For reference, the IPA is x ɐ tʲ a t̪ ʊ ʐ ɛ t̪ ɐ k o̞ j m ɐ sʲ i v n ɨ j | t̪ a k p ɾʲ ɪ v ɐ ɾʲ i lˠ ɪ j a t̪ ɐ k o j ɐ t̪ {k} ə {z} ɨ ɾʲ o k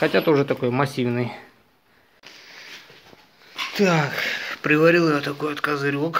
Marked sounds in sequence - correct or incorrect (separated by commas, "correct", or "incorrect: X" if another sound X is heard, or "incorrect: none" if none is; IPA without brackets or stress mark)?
correct, correct